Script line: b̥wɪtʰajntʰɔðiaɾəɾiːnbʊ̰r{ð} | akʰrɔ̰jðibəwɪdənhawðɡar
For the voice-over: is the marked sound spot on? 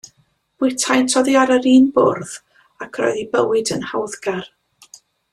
yes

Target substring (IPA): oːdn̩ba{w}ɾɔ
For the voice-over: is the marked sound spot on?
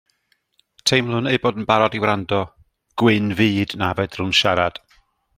no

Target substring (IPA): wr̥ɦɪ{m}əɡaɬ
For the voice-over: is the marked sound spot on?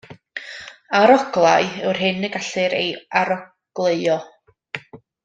no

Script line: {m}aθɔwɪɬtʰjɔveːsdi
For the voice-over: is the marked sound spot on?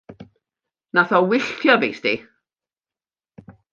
no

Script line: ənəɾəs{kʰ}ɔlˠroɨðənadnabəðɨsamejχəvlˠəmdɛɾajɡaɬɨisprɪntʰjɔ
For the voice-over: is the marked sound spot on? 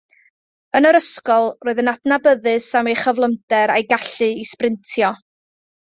no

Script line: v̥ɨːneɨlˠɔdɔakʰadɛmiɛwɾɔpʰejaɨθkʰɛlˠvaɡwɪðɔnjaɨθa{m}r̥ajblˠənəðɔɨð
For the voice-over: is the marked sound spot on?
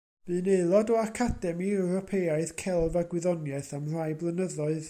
yes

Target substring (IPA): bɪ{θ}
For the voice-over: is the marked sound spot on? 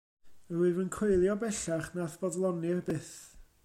yes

